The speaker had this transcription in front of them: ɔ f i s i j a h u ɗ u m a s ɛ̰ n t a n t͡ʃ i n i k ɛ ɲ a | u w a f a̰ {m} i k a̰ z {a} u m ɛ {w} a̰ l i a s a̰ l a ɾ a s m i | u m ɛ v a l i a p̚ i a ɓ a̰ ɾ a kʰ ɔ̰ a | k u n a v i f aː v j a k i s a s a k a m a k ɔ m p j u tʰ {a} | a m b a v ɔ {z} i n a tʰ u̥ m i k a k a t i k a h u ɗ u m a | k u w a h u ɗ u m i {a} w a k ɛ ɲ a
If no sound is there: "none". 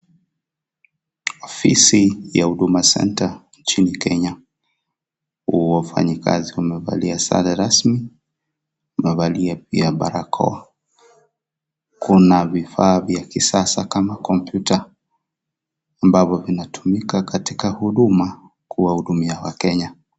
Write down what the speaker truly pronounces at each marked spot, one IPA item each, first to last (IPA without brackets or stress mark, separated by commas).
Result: ɲ, i, v, a, v, a